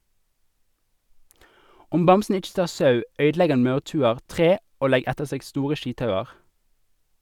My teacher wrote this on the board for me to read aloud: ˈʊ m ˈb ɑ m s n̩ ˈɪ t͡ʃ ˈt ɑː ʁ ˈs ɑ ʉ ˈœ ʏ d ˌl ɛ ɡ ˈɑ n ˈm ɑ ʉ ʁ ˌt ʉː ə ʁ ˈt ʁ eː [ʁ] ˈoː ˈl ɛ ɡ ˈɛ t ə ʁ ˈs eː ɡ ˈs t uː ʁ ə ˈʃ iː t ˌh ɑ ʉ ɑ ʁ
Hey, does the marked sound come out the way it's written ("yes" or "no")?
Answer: no